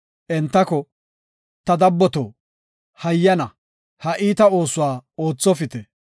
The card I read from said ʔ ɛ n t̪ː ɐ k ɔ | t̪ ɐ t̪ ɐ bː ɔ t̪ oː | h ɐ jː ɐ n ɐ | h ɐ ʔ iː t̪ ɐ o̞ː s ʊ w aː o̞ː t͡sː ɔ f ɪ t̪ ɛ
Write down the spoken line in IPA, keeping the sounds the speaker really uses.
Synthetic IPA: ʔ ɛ n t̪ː ɐ k ɔ | t̪ ɐ d̪ ɐ bː ɔ t̪ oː | h ɐ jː ɐ n ɐ | h ɐ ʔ iː t̪ ɐ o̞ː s ʊ w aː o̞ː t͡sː ɔ f ɪ t̪ ɛ